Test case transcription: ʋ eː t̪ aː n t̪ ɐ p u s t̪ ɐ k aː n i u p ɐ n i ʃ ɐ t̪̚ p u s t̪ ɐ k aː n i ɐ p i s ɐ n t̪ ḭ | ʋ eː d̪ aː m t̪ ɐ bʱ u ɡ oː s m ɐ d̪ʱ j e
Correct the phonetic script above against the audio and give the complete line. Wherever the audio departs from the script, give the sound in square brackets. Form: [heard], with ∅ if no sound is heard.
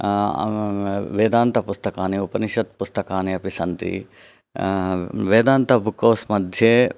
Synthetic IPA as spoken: ʋ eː [d̪] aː n t̪ ɐ p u s t̪ ɐ k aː n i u p ɐ n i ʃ ɐ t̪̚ p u s t̪ ɐ k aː n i ɐ p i s ɐ n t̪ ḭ | ʋ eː d̪ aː [n] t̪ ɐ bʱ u [k] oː s m ɐ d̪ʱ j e